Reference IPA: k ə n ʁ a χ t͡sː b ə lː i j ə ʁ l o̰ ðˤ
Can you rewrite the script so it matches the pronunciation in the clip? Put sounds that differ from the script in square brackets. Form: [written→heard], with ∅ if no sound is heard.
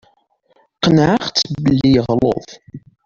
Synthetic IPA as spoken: [k→q] ə n [ʁ→ʕ] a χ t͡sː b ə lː i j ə ʁ l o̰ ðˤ